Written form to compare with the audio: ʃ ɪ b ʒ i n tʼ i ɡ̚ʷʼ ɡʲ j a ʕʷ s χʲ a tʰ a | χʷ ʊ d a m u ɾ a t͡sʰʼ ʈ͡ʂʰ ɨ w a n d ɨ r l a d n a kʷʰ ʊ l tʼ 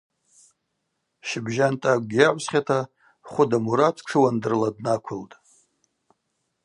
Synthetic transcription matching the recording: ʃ ɪ b ʒ a n tʼ a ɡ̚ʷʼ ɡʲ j a ʕʷ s χʲ a tʰ a | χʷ ʊ d a m u ɾ a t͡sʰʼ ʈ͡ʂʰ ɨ w a n d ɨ r l a d n a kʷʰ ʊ l tʼ